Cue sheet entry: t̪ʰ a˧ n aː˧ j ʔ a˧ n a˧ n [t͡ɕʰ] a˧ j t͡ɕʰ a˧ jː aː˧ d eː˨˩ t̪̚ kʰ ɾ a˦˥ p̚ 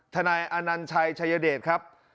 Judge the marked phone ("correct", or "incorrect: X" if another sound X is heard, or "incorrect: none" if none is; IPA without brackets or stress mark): correct